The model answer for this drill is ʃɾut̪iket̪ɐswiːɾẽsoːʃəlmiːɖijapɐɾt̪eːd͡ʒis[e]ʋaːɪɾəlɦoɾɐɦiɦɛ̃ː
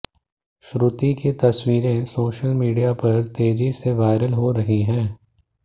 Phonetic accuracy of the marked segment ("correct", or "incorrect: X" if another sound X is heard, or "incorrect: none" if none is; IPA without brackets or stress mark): correct